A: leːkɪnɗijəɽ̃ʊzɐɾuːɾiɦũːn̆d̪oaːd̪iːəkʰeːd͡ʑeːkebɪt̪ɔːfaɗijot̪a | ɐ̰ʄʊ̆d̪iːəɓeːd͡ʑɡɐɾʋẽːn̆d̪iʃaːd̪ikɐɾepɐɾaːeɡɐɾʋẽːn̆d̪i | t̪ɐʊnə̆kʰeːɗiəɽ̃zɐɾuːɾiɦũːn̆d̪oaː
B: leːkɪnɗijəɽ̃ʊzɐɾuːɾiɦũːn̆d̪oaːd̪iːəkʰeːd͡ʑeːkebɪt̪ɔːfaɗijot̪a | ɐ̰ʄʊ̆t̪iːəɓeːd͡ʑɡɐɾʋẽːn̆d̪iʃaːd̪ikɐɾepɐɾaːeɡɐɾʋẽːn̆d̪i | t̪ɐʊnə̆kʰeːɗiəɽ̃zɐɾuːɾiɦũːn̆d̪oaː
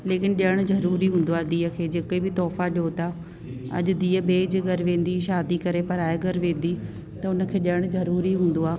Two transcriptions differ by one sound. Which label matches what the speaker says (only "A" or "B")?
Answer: A